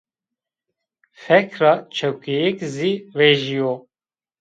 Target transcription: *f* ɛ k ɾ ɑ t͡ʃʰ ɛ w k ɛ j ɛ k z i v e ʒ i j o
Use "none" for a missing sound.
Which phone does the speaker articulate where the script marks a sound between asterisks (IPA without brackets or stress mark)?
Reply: f